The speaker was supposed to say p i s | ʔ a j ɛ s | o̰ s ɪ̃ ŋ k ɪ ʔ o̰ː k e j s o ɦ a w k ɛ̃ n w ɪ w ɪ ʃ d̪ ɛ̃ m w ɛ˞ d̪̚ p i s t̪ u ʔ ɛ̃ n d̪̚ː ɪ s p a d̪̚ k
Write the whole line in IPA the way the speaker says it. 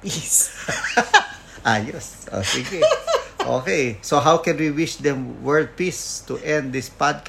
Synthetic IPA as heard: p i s | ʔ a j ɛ s | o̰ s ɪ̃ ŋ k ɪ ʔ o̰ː k e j s o ɦ a w k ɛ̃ n w i w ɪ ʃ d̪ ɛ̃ m w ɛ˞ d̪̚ p i s t̪ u ʔ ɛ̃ n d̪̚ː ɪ s p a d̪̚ k